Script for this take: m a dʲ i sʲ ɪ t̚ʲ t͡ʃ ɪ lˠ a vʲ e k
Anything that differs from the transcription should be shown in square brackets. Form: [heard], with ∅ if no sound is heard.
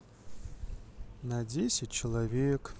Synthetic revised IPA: [n] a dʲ [e] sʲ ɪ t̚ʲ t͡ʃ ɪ lˠ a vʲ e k